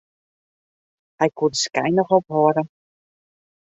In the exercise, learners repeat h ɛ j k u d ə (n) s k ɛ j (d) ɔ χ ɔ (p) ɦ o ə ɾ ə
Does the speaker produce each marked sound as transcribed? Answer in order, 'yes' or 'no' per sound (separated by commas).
no, no, yes